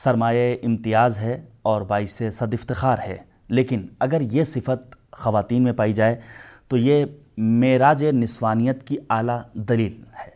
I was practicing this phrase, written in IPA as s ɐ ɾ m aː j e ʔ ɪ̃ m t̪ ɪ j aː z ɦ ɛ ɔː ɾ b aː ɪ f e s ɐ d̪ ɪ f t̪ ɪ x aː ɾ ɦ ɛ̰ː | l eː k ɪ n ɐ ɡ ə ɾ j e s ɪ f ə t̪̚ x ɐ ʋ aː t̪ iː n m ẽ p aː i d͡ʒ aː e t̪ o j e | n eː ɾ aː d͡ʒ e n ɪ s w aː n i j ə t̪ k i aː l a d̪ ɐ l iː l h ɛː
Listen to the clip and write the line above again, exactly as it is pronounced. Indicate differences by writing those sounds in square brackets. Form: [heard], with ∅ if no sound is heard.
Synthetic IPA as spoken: s ɐ ɾ m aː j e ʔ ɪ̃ m t̪ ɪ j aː z ɦ ɛ ɔː ɾ b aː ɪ [s] e s ɐ d̪ ɪ f t̪ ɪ x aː ɾ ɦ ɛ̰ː | l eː k ɪ n ɐ ɡ ə ɾ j e s ɪ f ə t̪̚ x ɐ ʋ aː t̪ iː n m ẽ p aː i d͡ʒ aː e t̪ o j e | [m] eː ɾ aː d͡ʒ e n ɪ s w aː n i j ə t̪ k i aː l a d̪ ɐ l iː l h ɛː